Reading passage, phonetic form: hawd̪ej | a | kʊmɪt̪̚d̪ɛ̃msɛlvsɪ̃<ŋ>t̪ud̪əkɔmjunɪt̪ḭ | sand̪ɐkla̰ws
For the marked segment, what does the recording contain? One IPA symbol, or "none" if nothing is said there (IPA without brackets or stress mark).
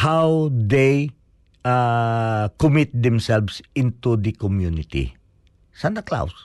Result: n